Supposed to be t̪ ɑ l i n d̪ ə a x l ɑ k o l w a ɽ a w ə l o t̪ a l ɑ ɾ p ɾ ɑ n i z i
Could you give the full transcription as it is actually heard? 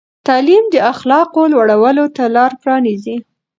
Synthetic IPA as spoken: t̪ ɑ l i m d̪ ə a x l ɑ q o l w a ɽ a w ə l o t̪ a l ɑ ɾ p ɾ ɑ n i z i